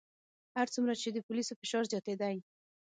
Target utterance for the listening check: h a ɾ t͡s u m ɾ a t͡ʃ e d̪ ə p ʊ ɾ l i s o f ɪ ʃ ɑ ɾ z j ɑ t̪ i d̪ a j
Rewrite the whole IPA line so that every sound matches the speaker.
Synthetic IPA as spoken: h a ɾ t͡s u m ɾ a t͡ʃ e d̪ ə p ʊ l i s o f ɪ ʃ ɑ ɾ z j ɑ t̪ e d̪ a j